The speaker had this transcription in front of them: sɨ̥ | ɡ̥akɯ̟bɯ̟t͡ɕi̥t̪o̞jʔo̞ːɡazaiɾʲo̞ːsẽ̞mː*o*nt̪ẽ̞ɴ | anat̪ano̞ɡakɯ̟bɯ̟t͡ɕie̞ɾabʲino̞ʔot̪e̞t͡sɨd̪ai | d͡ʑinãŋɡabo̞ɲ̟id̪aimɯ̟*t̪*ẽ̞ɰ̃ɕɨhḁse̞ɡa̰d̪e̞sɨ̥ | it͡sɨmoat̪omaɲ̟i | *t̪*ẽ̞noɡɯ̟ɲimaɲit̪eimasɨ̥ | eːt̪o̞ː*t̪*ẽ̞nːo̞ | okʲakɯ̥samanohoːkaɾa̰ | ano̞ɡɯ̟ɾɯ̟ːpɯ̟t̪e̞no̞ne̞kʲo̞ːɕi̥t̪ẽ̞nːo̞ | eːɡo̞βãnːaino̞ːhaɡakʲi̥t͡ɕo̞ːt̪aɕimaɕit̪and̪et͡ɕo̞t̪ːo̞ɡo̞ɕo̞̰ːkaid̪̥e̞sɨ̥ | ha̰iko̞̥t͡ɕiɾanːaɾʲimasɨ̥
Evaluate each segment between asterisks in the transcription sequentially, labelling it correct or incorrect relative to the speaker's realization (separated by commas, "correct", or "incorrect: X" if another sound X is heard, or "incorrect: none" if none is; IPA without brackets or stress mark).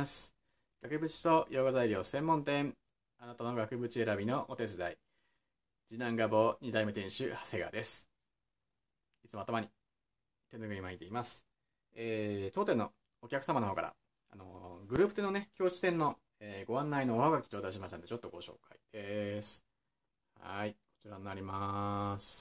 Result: incorrect: õ, correct, correct, correct